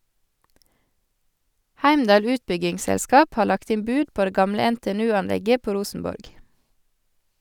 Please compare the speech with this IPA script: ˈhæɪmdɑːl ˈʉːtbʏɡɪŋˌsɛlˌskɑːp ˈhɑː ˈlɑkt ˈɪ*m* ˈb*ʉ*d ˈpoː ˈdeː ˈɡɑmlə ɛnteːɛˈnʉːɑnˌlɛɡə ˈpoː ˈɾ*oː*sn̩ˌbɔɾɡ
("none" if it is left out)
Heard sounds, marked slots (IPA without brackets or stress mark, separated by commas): m, ʉː, uː